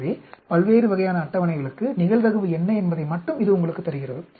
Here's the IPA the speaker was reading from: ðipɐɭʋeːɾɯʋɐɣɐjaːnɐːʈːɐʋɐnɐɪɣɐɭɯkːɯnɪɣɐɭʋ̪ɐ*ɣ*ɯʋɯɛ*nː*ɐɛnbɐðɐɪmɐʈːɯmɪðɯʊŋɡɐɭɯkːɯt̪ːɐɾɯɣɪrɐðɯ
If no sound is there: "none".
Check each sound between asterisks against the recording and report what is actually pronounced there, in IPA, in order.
ɣ, nː

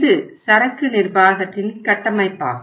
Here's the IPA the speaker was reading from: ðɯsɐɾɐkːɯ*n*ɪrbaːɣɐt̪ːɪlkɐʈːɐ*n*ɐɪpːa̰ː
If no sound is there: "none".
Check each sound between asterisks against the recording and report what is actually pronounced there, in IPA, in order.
n, m

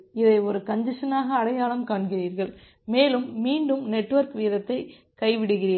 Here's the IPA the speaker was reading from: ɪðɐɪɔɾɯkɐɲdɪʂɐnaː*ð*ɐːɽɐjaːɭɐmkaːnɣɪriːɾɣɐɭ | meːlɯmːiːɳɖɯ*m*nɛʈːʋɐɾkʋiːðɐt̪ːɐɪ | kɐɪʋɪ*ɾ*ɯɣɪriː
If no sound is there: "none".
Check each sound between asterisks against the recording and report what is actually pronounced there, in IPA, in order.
ɣ, m, ɽ

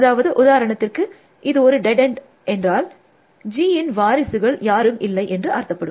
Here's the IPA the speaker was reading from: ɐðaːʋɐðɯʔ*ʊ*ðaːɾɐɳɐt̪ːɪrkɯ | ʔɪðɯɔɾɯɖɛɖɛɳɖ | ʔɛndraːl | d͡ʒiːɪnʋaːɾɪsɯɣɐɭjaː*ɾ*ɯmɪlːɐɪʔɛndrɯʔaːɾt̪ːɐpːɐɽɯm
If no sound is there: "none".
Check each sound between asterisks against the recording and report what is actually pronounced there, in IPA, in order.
ʊ, ɾ

